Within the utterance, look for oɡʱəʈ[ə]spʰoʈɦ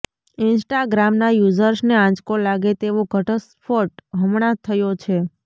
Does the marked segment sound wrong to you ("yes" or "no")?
no